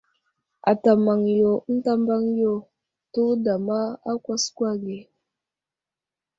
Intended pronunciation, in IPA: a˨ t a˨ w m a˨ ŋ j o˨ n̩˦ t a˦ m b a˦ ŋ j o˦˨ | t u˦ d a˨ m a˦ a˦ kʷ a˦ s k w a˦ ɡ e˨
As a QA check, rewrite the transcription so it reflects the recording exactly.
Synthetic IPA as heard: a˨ t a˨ m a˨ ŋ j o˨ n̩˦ t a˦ m b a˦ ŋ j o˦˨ | t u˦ d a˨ m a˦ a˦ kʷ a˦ s k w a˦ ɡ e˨